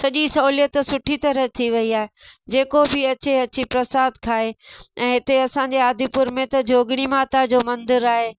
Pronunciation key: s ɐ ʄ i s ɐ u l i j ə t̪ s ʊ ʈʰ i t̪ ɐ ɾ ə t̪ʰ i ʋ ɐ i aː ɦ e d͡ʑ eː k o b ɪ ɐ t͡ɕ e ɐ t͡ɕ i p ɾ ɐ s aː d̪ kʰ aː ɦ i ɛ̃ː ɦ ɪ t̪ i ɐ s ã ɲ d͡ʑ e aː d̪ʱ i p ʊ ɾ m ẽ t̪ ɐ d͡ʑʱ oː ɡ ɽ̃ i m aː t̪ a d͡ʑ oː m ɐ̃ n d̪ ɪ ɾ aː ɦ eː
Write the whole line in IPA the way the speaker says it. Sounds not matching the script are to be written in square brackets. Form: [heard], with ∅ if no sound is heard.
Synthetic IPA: s ɐ ʄ i s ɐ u l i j ə t̪ s ʊ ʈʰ i t̪ ɐ ɾ ə t̪ʰ i ʋ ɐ i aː ɦ e d͡ʑ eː k o b ɪ ɐ t͡ɕ e ɐ t͡ɕ i p ɾ ɐ s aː d̪ kʰ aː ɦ [e] ɛ̃ː ɦ ɪ t̪ [e] ɐ s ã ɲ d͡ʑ e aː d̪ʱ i p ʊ ɾ m ẽ t̪ ɐ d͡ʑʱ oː ɡ ɽ̃ i m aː t̪ a d͡ʑ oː m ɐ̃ n d̪ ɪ ɾ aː ɦ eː

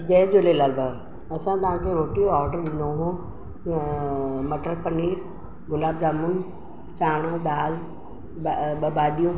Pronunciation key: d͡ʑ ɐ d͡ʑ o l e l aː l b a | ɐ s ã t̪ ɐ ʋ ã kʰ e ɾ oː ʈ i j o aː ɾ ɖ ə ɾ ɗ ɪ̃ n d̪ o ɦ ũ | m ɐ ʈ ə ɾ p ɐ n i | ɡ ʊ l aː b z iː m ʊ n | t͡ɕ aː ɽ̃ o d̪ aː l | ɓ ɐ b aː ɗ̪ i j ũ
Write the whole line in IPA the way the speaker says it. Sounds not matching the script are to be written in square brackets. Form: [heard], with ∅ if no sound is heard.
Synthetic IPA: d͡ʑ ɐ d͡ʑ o l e l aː l b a | ɐ s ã t̪ ɐ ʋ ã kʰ e ɾ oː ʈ i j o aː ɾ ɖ ə ɾ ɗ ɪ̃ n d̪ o ɦ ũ | m ɐ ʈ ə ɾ p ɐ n i | ɡ ʊ l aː b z [aː] m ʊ n | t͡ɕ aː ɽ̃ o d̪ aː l | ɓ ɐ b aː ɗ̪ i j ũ

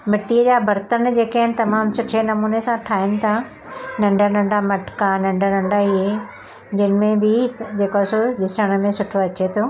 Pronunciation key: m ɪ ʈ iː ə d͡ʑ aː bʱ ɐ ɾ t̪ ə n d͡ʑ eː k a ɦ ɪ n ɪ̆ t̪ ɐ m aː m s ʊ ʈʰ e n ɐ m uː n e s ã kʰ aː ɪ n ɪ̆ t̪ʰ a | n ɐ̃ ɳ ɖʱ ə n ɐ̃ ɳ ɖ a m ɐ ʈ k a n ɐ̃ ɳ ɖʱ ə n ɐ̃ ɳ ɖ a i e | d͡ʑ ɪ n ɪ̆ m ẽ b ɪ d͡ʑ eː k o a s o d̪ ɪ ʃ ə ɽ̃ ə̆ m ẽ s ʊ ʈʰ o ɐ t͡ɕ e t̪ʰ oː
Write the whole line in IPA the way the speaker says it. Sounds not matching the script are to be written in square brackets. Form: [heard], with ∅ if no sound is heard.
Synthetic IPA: m ɪ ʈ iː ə d͡ʑ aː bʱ ɐ ɾ t̪ ə n d͡ʑ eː k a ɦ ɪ n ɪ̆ t̪ ɐ m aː m s ʊ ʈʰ e n ɐ m uː n e s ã [ʈʰ] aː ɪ n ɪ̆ t̪ʰ a | n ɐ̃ ɳ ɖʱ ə n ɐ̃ ɳ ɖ a m ɐ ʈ k a n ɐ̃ ɳ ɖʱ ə n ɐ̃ ɳ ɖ a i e | d͡ʑ ɪ n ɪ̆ m ẽ b ɪ d͡ʑ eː k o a s o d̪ ɪ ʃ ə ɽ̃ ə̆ m ẽ s ʊ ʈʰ o ɐ t͡ɕ e t̪ʰ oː

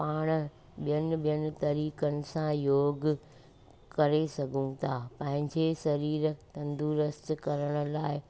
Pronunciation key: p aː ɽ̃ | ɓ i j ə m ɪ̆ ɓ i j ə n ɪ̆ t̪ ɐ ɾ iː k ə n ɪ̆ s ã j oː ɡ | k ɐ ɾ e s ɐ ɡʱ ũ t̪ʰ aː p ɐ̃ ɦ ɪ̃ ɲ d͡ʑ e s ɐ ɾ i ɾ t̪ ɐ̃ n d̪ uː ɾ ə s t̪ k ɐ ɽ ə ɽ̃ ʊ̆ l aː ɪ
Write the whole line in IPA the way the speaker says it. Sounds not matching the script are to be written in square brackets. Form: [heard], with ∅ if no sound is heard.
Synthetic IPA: p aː ɽ̃ | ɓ i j ə [n] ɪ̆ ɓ i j ə n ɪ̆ t̪ ɐ ɾ iː k ə n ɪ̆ s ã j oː ɡ | k ɐ ɾ e s ɐ ɡʱ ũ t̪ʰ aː p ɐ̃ ɦ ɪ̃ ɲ d͡ʑ e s ɐ ɾ [iː] ɾ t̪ ɐ̃ n d̪ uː ɾ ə s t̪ k ɐ [ɾ] ə ɽ̃ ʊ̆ l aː ɪ

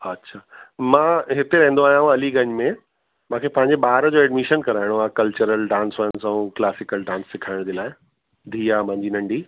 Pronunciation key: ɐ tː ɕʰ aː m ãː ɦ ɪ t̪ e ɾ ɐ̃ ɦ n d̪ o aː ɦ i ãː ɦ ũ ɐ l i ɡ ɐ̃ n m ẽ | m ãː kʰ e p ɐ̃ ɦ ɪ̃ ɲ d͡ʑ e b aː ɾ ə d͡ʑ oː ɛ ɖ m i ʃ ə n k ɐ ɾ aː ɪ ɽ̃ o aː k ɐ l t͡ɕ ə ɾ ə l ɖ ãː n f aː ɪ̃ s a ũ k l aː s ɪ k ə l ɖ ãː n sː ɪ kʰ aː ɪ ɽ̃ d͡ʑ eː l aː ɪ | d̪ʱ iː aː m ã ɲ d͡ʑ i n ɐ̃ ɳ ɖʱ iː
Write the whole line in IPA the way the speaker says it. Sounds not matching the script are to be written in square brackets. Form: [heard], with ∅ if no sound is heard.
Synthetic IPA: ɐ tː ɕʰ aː m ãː ɦ ɪ t̪ e ɾ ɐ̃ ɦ n d̪ o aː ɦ [j] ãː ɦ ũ ɐ l i ɡ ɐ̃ [ɲ] m ẽ | m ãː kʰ e p ɐ̃ ɦ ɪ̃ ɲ d͡ʑ e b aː ɾ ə d͡ʑ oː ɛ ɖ m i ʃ ə n k ɐ ɾ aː ɪ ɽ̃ o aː k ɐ l t͡ɕ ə ɾ ə l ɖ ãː n [s] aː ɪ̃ s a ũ k l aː s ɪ k ə l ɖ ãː n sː ɪ kʰ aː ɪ ɽ̃ d͡ʑ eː l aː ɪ | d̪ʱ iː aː m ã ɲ d͡ʑ i n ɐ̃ ɳ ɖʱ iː

